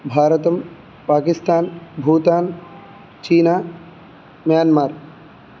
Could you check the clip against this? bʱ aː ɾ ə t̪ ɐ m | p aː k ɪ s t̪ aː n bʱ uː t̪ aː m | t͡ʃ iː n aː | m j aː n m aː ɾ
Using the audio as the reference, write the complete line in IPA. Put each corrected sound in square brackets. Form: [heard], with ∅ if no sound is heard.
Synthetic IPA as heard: bʱ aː ɾ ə t̪ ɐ m | p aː k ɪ s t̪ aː n bʱ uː t̪ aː [n] | t͡ʃ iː n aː | m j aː n m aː ɾ